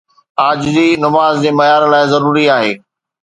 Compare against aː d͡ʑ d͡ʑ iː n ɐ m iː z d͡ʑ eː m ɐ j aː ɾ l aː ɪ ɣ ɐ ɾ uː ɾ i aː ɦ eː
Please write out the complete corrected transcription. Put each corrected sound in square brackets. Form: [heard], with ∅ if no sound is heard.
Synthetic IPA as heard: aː d͡ʑ d͡ʑ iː n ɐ m [aː] z d͡ʑ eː m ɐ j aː ɾ l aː ɪ [z] ɐ ɾ uː ɾ i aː ɦ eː